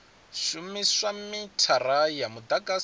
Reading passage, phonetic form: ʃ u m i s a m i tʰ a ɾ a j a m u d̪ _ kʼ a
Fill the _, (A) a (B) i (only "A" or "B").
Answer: A